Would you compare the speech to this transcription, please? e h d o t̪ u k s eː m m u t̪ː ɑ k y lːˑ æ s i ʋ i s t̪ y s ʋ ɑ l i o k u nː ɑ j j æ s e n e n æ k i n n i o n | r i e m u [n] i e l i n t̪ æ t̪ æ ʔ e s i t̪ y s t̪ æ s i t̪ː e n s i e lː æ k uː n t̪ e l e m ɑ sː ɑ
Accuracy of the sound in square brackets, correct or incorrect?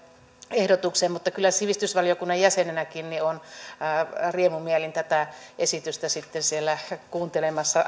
incorrect